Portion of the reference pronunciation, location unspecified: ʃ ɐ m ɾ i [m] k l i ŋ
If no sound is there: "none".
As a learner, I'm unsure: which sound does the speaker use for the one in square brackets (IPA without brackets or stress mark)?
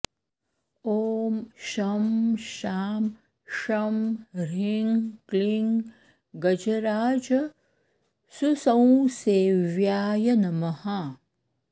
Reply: ŋ